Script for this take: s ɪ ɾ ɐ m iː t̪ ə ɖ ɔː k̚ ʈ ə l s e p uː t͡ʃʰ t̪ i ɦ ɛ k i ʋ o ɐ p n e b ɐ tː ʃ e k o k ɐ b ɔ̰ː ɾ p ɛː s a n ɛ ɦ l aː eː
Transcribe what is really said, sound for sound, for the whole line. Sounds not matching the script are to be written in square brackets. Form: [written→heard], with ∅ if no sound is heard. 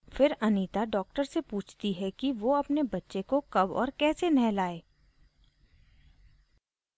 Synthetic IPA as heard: [s→f] ɪ ɾ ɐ [m→n] iː t̪ [ə→a] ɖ ɔː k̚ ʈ ə [l→ɾ] s e p uː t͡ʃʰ t̪ i ɦ ɛ k i ʋ o ɐ p n e b ɐ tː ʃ e k o k ɐ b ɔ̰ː ɾ [p→k] ɛː s [a→e] n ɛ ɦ l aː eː